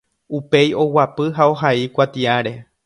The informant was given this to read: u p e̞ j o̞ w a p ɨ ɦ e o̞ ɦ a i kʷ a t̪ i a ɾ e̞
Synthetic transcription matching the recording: u p e̞ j o̞ w a p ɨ ɦ a o̞ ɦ a i kʷ a t̪ i a ɾ e̞